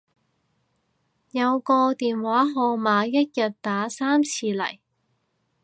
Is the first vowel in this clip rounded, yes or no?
no